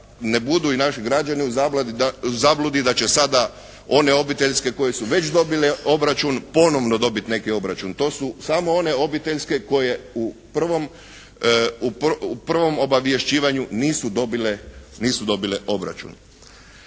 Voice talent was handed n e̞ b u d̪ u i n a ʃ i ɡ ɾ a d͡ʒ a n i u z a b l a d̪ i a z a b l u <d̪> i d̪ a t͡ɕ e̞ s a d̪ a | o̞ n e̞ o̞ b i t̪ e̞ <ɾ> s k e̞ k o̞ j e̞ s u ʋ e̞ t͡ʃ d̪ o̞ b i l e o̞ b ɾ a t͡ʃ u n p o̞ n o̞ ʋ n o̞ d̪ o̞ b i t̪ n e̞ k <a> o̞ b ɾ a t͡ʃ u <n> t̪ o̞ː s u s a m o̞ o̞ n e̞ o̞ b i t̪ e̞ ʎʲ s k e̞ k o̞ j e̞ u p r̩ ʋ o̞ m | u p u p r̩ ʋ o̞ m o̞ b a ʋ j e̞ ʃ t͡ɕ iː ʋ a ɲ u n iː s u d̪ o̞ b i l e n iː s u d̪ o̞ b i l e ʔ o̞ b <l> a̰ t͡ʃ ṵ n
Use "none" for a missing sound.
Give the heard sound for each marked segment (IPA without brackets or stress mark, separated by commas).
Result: d̪, ʎ, i, n, ɾ